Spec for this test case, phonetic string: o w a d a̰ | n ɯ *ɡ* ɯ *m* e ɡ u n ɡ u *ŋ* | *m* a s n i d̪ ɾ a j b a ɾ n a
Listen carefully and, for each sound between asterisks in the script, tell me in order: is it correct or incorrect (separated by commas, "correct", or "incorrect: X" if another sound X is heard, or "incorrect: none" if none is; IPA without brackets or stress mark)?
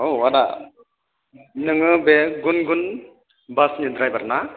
incorrect: ŋ, incorrect: b, incorrect: n, incorrect: b